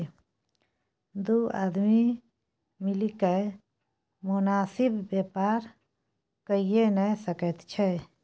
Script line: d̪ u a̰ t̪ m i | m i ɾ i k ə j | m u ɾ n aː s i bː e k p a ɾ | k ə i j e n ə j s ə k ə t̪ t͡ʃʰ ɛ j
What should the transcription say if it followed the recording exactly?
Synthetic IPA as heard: d̪ u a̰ d̪ m i | m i l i k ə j | m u n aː s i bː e p a ɾ | k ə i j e n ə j s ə k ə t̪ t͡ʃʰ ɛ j